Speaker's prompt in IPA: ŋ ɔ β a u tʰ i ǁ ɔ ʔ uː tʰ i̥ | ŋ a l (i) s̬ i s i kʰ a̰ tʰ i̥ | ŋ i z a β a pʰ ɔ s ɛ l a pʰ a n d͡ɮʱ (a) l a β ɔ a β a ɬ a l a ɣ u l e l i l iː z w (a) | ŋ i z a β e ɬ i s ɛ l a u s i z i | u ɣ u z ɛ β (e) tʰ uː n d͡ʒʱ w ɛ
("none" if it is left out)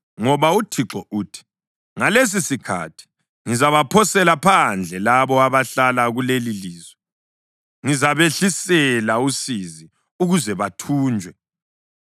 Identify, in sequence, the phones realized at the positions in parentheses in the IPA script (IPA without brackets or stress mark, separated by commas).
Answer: e, ɛ, ɛ, a